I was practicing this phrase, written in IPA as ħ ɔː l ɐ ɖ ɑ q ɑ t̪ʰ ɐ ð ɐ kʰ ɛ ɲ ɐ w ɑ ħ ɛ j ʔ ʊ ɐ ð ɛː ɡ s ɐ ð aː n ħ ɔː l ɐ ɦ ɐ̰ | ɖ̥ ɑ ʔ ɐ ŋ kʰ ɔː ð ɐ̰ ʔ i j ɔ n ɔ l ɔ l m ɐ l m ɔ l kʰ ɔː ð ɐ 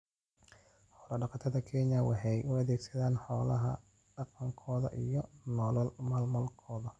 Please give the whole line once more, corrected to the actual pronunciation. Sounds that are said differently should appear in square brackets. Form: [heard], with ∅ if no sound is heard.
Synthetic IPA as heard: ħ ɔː l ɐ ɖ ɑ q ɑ t̪ʰ ɐ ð ɐ kʰ ɛ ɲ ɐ w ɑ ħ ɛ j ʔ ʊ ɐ ð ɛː ɡ s ɐ ð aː n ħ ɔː l ɐ ɦ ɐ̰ | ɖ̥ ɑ [q] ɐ ŋ kʰ ɔː ð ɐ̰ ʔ i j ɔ n ɔ l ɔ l m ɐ l m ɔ l kʰ ɔː ð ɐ